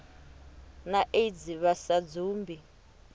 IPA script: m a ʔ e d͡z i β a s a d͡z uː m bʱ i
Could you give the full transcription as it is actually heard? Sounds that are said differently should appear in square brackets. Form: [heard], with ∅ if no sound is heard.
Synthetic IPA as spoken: [n] a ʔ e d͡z i β a s a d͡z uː m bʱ i